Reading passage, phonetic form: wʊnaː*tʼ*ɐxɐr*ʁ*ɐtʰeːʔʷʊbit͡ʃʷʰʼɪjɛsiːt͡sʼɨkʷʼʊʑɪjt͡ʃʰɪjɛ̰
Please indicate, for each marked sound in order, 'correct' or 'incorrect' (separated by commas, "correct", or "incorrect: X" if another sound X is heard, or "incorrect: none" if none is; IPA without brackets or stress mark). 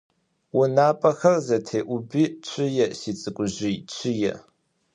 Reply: incorrect: pʼ, incorrect: z